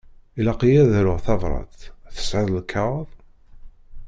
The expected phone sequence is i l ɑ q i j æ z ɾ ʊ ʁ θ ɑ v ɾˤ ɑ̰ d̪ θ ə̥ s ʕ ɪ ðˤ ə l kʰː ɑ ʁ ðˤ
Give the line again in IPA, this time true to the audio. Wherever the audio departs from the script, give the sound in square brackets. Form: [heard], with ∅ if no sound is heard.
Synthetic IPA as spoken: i l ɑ q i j æ [ð] ɾ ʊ ʁ θ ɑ v ɾˤ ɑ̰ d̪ θ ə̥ s ʕ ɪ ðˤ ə l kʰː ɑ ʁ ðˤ